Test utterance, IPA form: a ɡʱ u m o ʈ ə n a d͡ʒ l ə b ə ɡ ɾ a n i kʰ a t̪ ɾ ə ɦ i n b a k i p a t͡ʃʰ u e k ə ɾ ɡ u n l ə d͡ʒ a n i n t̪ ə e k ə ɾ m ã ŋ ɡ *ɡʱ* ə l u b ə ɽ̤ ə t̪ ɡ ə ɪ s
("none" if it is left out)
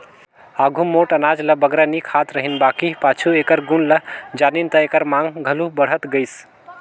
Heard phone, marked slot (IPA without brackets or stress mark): ɡʱ